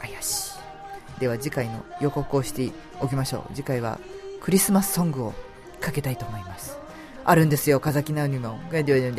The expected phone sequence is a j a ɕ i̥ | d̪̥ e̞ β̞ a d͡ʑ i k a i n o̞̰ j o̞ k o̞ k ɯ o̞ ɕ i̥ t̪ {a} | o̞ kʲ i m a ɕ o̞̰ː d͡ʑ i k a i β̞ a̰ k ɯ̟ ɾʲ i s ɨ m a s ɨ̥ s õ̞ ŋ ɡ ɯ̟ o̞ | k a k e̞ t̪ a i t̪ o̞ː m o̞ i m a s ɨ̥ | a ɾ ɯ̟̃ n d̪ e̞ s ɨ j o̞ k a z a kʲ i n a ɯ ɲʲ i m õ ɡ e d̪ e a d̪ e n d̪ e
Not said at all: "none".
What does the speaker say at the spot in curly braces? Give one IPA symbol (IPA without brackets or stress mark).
e